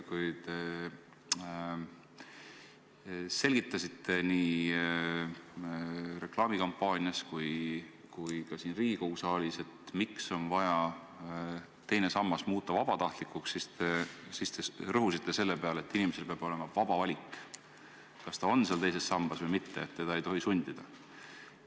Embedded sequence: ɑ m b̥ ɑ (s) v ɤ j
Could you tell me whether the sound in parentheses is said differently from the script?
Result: no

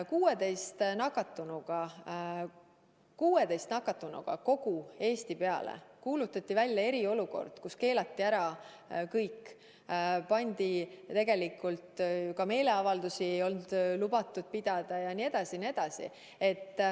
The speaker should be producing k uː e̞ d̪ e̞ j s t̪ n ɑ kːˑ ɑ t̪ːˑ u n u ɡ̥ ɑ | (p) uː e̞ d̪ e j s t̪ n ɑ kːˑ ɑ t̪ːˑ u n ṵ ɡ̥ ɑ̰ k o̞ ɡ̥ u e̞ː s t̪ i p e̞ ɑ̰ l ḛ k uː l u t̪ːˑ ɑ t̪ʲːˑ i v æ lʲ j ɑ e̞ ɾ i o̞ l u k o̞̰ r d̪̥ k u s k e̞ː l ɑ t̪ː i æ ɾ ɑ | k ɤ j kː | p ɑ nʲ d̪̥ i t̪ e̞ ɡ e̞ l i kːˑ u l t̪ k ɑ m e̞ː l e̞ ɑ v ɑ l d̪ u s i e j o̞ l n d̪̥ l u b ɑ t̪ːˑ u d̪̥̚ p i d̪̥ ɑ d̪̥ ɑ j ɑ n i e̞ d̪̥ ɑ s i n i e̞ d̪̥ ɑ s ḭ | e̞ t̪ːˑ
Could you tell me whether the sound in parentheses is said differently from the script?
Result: yes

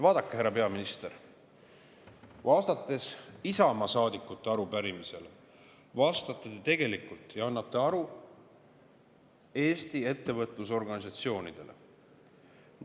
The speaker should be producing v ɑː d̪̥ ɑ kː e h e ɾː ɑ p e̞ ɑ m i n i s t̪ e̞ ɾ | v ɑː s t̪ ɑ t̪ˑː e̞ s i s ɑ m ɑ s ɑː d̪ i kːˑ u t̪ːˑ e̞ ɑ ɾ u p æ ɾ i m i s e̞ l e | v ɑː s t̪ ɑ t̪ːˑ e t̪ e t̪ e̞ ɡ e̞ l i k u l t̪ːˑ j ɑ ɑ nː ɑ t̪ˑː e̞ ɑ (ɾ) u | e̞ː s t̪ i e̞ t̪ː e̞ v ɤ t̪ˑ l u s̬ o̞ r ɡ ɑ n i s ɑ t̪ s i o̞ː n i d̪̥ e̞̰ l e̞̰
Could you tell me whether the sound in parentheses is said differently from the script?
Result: no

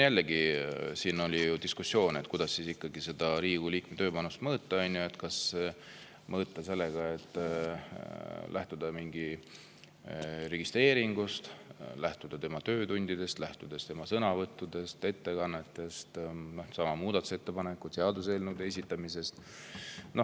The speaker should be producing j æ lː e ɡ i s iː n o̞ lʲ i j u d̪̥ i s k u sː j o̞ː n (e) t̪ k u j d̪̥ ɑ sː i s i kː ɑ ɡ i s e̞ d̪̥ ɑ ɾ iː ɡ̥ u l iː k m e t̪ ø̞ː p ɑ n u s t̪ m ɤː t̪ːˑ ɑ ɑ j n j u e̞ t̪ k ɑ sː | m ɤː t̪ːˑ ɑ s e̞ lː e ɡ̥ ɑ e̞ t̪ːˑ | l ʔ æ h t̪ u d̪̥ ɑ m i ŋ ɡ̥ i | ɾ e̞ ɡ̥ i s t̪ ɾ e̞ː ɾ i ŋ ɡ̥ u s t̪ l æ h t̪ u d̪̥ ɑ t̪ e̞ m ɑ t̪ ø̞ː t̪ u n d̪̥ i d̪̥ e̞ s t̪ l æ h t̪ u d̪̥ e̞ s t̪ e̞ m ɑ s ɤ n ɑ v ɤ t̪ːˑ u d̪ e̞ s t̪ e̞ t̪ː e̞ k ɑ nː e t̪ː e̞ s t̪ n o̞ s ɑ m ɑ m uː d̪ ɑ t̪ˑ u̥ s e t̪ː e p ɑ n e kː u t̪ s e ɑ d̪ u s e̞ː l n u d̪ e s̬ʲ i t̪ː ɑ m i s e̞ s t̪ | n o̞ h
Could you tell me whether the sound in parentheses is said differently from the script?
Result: no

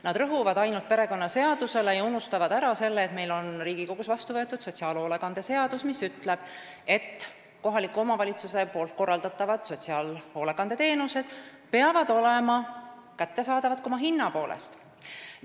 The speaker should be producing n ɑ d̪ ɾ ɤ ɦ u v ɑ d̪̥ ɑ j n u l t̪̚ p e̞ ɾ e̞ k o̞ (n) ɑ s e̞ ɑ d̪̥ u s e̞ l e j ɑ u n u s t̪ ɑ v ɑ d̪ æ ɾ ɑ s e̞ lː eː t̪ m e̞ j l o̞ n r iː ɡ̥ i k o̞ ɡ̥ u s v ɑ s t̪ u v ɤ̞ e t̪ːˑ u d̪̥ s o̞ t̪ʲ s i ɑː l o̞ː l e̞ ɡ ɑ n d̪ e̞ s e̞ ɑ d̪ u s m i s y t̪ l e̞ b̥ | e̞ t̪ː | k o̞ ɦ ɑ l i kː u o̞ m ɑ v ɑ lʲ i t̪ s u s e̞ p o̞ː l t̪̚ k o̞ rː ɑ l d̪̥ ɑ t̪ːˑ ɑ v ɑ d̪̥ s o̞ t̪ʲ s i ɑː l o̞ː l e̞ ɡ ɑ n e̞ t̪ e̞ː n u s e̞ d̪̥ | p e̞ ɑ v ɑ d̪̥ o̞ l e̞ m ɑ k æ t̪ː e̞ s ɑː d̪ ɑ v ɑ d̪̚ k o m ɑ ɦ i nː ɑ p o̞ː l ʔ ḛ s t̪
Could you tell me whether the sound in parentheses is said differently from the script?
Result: yes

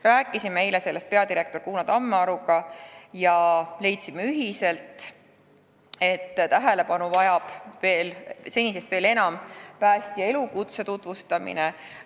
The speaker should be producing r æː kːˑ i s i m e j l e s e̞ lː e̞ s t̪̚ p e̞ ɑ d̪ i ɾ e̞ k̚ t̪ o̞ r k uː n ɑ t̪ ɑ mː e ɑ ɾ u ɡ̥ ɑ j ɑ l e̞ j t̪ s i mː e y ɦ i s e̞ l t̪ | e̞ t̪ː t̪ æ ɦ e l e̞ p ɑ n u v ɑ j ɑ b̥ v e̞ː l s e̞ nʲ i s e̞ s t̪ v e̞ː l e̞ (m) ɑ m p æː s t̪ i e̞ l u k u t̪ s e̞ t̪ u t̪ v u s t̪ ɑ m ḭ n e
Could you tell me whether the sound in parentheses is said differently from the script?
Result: yes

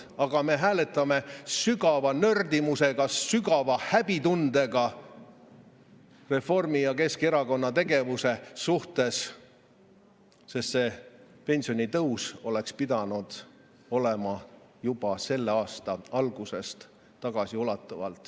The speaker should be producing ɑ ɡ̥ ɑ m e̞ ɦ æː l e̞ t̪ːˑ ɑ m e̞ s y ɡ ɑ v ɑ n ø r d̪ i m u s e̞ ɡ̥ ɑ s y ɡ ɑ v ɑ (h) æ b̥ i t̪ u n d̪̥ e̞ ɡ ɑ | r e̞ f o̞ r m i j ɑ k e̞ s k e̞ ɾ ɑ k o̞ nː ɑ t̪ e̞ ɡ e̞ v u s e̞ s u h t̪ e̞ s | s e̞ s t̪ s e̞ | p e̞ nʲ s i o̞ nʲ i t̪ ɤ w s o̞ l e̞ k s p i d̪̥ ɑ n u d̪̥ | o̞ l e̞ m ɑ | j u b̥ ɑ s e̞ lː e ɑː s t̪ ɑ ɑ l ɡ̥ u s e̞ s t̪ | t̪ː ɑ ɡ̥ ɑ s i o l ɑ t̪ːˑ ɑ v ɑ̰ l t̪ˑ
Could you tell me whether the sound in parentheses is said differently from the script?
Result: no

